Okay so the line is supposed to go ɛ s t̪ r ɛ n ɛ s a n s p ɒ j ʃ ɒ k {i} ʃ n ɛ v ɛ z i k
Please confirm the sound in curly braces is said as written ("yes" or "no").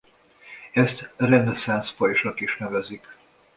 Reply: yes